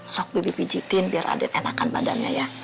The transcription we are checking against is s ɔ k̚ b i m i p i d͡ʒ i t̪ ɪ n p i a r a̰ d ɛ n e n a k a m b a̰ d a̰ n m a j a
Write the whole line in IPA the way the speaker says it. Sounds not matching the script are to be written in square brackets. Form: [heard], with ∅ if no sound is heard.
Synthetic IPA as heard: s ɔ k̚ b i [b] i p i d͡ʒ i t̪ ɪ n [b] i a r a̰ d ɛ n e n a k a [n] b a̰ d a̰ n [ɲ] a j a

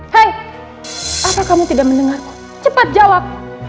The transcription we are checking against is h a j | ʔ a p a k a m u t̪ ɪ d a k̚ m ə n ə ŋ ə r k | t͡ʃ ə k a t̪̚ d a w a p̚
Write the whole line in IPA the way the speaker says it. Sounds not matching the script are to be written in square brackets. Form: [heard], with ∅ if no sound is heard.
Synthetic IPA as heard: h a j | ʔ a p a k a m u t̪ [i] d a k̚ m ə n ə ŋ [a] r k | t͡ʃ ə [p] a t̪̚ [d͡ʒ] a w a p̚

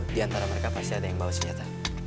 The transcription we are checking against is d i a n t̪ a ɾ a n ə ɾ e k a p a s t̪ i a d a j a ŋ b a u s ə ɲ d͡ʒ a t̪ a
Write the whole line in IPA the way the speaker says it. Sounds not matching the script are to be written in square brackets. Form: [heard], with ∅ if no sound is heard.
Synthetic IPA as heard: d i a n t̪ a ɾ a [m] ə ɾ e k a p a s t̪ i a d a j a ŋ b a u s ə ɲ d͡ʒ a t̪ a

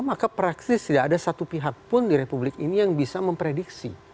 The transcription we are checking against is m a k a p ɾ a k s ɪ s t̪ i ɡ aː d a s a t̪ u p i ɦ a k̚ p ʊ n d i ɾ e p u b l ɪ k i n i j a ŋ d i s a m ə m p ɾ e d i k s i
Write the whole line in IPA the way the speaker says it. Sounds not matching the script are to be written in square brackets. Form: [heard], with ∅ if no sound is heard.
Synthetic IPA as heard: m a k a p ɾ a k s ɪ s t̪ i [d] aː d a s a t̪ u p i ɦ a k̚ p ʊ n d i ɾ e p u b l ɪ k i n i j a ŋ [b] i s a m ə m p ɾ e d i k s i

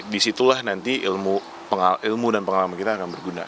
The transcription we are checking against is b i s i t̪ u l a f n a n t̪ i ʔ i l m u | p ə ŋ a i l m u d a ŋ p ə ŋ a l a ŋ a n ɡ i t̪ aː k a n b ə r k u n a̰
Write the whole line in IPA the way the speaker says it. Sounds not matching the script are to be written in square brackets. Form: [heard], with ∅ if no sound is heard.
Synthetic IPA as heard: [d] i s i t̪ u l a [h] n a n t̪ i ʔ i l m u | p ə ŋ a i l m u d a [n] p ə ŋ a l a [m] a n [k] i t̪ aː k a n b ə r [ɡ] u n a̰

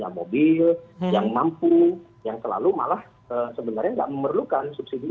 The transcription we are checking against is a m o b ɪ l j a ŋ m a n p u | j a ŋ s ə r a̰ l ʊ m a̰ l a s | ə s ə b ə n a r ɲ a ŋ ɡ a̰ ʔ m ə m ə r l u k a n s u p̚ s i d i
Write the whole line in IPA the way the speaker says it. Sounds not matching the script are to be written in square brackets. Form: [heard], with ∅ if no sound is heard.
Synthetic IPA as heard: a m o b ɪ l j a ŋ m a [m] p u | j a ŋ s ə [l] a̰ l [u] m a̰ l a [h] | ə s ə b ə n a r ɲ a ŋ ɡ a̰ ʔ m ə m ə r l u k a n s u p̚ s i d i

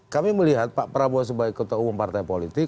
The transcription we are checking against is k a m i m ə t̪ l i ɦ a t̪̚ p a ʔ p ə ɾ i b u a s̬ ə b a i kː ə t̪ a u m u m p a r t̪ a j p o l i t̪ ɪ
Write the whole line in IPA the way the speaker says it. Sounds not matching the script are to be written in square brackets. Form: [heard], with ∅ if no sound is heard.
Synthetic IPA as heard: k a m i m ə [∅] l i ɦ a t̪̚ p a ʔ p ə ɾ [a] b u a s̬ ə b a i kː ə t̪ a u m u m p a r t̪ a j p o l i t̪ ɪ

